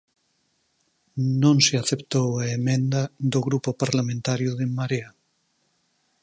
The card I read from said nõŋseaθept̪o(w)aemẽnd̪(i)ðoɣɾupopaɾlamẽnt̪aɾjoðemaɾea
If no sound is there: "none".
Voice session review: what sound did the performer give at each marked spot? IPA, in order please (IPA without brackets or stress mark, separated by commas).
w, a